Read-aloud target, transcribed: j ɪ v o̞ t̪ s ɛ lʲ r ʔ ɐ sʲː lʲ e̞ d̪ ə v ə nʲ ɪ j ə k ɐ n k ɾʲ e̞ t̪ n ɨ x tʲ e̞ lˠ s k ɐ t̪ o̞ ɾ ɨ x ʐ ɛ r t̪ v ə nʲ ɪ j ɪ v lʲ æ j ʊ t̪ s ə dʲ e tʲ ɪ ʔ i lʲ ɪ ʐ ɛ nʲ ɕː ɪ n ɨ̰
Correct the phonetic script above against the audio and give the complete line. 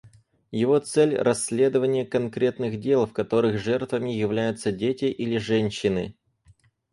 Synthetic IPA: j ɪ v o̞ t̪ s ɛ lʲ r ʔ ɐ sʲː lʲ e̞ d̪ ə v ə nʲ ɪ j ə k ɐ n k ɾʲ e̞ t̪ n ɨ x dʲ e̞ lˠ f k ɐ t̪ o̞ ɾ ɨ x ʐ ɛ r t̪ v ə mʲ ɪ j ɪ v lʲ æ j ʊ t̪ s ə dʲ e tʲ ɪ ʔ i lʲ ɪ ʐ ɛ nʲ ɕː ɪ n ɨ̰